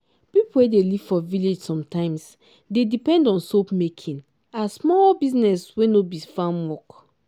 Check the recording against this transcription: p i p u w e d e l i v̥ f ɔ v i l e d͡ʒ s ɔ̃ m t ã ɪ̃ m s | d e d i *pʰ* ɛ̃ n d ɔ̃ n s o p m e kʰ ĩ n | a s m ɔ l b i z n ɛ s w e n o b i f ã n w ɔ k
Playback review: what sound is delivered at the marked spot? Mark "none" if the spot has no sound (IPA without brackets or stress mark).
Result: p